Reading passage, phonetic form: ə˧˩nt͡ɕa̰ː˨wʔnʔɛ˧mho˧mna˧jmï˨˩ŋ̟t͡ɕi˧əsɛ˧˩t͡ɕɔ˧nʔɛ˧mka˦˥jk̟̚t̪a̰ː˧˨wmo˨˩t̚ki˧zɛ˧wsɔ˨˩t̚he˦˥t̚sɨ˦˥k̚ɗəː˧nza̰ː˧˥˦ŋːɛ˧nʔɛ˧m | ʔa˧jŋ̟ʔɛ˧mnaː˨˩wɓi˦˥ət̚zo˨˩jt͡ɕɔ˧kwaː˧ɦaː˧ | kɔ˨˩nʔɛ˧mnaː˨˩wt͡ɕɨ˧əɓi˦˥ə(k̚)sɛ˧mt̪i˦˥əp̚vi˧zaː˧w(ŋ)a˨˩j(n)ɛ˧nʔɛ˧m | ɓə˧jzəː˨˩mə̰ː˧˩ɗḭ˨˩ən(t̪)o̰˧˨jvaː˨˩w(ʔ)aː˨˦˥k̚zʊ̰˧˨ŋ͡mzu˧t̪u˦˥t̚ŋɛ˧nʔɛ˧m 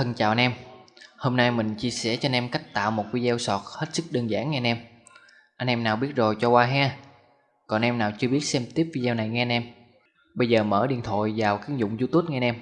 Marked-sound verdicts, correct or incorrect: incorrect: t̚, incorrect: n, incorrect: ŋ, incorrect: t̪ʰ, incorrect: k

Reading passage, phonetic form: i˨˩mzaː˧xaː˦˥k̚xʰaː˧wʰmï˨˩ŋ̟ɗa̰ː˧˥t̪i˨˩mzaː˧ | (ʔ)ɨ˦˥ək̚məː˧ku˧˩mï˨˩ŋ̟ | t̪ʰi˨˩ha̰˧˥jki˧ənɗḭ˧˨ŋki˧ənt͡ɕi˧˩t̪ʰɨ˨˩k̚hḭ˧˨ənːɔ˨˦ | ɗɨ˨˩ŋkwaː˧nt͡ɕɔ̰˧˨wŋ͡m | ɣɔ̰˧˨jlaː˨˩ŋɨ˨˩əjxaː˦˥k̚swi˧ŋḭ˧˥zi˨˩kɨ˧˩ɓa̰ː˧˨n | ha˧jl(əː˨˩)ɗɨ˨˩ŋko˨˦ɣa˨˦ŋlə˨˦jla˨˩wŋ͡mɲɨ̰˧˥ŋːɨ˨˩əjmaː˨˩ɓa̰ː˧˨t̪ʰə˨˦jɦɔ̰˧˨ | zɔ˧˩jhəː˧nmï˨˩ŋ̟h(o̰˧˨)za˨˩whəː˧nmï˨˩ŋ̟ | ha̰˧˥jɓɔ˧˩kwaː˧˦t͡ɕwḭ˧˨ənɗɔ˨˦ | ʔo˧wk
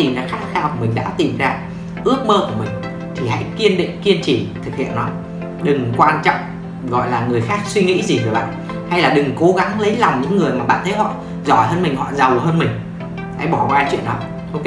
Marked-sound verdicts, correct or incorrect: correct, incorrect: aː˨˩, incorrect: ɔ̰˧˨

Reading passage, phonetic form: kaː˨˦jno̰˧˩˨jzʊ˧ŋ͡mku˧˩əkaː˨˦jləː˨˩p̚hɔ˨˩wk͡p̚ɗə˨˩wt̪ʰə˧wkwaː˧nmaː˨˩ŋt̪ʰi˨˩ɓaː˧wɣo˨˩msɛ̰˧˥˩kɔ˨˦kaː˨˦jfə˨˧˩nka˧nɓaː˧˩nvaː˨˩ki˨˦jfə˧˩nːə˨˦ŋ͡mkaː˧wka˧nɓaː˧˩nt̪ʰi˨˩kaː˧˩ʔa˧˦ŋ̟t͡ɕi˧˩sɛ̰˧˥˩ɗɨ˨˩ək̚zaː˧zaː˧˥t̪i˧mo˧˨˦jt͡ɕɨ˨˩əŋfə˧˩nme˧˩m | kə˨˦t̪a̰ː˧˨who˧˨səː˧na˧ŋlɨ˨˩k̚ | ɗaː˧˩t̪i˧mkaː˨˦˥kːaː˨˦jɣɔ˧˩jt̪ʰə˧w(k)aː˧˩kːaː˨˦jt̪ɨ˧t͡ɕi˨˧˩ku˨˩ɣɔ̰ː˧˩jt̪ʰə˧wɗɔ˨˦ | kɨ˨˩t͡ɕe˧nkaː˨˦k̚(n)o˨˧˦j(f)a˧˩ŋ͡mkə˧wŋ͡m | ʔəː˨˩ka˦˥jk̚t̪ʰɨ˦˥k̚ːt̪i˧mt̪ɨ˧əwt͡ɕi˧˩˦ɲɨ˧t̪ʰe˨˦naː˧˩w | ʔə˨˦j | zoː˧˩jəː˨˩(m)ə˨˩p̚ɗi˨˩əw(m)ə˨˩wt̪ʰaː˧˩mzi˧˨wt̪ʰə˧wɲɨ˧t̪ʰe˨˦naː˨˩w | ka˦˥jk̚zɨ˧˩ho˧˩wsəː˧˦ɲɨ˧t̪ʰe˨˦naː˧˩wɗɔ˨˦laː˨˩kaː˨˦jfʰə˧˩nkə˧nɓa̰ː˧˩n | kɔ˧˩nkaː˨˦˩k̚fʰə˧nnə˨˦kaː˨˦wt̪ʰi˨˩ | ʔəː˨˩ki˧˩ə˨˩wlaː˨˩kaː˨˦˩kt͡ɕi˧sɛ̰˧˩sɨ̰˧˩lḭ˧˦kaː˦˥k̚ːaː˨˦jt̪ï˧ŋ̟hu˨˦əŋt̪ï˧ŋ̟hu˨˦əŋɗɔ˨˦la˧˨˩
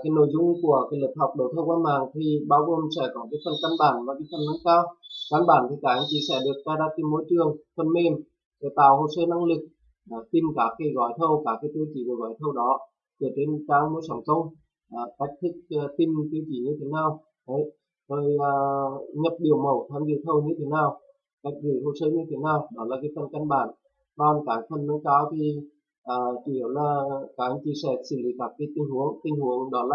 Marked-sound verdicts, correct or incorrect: correct, incorrect: m, incorrect: s, incorrect: ɲ, correct

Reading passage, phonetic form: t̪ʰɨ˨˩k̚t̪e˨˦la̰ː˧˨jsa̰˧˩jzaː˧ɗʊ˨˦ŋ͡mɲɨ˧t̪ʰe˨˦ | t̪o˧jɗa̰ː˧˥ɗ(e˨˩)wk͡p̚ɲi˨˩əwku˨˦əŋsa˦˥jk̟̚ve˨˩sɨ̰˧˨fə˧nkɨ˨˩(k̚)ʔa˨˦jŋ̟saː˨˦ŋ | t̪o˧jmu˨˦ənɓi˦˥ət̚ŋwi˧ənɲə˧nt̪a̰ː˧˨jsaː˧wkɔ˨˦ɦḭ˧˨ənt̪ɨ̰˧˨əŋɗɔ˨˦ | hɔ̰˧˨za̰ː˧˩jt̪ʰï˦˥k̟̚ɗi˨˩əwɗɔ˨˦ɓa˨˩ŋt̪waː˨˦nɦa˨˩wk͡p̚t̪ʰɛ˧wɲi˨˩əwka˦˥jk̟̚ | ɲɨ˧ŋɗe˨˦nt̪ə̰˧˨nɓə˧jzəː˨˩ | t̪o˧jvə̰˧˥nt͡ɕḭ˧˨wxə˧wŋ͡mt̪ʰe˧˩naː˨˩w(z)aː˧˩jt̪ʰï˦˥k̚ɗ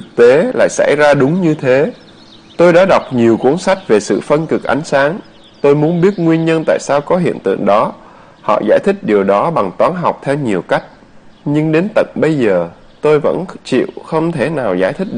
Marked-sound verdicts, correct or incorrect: incorrect: a˨˩, correct, correct

